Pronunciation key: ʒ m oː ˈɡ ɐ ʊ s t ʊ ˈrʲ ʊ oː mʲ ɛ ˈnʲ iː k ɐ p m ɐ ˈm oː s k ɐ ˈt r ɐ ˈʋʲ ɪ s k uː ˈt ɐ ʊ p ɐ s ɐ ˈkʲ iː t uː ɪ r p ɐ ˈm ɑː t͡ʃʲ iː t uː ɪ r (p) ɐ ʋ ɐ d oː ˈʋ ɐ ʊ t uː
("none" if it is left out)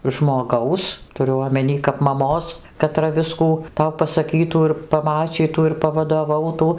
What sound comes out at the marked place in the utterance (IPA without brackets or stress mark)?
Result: p